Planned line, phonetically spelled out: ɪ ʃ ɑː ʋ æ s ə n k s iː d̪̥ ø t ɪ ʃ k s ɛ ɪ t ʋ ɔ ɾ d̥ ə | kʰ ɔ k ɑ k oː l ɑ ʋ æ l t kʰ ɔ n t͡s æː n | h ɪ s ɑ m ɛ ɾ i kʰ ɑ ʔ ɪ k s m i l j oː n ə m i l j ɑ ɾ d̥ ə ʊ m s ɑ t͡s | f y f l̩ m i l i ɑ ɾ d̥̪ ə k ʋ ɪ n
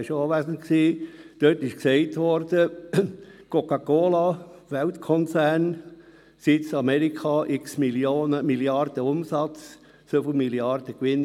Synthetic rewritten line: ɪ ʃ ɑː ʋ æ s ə n k s iː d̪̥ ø t ɪ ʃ k s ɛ ɪ t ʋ ɔ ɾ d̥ ə | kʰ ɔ k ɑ k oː l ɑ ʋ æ l t kʰ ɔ n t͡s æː n | s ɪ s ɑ m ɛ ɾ i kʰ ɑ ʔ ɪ k s m i l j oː n ə m i l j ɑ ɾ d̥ ə ʊ m s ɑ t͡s | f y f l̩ m i l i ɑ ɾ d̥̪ ə k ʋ ɪ n